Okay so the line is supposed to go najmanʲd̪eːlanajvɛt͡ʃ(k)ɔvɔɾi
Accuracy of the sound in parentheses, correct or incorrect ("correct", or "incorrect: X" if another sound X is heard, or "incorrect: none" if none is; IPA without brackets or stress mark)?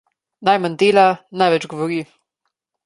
incorrect: ɡ